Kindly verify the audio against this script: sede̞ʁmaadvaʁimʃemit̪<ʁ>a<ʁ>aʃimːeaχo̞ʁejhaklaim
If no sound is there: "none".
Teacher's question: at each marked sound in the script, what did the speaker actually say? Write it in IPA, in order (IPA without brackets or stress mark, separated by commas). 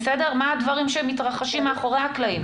ʁ, χ